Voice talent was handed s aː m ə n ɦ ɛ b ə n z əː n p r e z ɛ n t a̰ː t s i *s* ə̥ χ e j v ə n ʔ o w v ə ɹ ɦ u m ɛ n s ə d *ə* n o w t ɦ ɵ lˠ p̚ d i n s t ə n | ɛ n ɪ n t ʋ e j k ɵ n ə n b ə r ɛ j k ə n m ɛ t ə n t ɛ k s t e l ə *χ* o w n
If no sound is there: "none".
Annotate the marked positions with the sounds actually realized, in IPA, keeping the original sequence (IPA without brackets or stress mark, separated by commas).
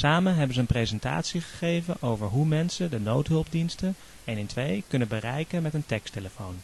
χ, ə, f